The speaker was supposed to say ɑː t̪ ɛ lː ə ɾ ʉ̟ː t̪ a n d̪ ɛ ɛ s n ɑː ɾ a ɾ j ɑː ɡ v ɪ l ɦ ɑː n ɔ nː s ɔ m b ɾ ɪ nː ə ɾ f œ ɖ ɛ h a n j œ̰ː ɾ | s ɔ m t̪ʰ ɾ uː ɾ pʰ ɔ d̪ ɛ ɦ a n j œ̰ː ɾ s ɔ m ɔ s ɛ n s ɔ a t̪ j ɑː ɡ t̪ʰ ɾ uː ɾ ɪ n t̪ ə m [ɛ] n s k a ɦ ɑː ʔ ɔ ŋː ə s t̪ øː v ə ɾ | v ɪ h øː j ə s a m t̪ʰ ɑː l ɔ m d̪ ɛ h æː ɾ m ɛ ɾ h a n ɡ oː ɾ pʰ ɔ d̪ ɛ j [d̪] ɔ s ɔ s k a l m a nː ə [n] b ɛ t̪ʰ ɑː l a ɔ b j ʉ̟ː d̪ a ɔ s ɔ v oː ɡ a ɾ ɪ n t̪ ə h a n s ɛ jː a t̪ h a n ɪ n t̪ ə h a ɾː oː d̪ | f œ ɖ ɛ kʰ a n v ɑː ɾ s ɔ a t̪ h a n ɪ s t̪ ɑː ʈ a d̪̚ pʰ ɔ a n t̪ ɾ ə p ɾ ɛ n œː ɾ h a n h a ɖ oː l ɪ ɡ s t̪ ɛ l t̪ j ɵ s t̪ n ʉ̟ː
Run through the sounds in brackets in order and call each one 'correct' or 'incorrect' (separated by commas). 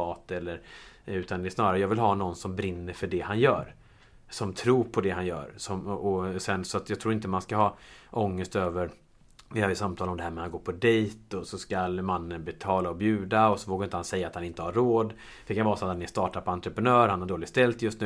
incorrect, incorrect, correct